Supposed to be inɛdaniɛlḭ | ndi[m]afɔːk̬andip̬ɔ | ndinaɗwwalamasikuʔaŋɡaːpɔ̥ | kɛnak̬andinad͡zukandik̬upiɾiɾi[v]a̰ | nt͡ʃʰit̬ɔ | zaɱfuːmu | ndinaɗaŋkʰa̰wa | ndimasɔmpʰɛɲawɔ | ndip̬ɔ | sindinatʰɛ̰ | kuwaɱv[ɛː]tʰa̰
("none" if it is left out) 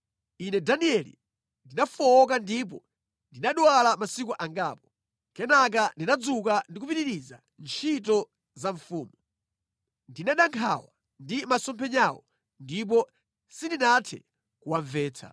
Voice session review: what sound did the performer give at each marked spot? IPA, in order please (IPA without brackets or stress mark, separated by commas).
n, z, ɛː